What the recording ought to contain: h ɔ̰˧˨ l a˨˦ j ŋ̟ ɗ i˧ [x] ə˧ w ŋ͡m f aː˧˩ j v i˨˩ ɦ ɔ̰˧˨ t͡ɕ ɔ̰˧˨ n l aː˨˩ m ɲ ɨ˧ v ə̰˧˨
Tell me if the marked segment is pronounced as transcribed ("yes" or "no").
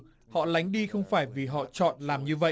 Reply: yes